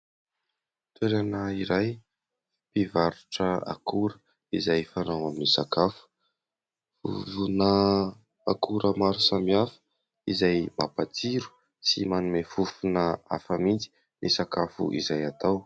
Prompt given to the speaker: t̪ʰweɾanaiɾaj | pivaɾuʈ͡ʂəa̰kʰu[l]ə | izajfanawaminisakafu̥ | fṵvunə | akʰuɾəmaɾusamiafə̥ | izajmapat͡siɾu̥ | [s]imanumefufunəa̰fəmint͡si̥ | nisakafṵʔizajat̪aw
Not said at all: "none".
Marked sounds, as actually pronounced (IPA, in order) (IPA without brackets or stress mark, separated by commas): ɾ, s